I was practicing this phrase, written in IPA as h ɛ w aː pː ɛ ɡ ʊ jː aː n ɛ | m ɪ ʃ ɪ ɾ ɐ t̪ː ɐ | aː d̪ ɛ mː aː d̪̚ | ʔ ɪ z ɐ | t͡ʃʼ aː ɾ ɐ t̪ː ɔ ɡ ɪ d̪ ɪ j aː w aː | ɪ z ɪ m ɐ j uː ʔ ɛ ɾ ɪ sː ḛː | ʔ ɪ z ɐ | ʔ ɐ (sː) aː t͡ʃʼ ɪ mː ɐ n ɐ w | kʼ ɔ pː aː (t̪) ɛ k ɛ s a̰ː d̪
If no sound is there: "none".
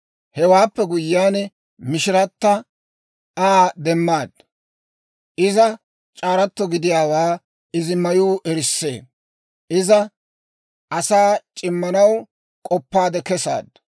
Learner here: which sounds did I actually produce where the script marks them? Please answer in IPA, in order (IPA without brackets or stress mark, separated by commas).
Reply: s, d̪